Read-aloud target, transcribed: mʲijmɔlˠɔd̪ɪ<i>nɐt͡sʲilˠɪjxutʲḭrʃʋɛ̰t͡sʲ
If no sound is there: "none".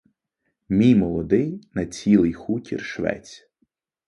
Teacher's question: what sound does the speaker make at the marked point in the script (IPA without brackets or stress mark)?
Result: j